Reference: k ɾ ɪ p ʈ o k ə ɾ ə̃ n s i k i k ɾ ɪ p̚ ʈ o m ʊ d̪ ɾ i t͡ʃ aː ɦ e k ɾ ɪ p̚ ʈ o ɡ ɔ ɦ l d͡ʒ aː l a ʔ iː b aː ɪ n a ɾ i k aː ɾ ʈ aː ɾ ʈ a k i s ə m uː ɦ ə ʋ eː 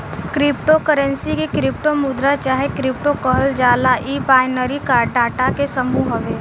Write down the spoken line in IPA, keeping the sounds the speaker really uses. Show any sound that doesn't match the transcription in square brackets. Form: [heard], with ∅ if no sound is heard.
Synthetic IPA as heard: k ɾ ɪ p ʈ o k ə ɾ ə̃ n s i k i k ɾ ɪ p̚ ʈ o m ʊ d̪ ɾ [a] t͡ʃ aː ɦ e k ɾ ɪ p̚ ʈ o [k] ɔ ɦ l d͡ʒ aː l a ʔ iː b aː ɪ n [ə] ɾ i k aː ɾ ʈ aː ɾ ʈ a k [e] s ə m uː ɦ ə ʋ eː